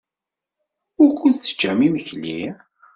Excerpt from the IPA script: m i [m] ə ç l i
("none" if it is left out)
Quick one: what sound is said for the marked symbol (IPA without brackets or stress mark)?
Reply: m